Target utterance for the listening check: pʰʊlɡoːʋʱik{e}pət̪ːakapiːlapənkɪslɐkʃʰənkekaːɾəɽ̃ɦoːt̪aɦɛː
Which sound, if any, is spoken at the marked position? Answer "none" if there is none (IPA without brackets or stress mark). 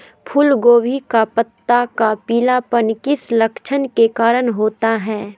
a